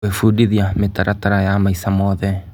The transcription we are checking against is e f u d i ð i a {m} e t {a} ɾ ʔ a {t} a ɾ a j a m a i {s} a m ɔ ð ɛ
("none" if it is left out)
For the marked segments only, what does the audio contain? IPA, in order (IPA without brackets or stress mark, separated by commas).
m, a, t, s